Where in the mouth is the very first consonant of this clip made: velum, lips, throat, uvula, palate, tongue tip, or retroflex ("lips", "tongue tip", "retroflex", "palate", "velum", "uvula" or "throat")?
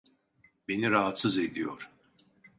lips